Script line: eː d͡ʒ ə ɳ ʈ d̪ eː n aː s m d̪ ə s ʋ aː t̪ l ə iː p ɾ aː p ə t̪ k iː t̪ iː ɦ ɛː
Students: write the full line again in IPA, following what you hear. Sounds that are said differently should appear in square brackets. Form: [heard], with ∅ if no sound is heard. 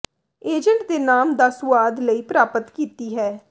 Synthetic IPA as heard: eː d͡ʒ ə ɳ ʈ d̪ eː n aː [∅] m d̪ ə s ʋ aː [d̪] l ə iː p ɾ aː p ə t̪ k iː t̪ iː ɦ ɛː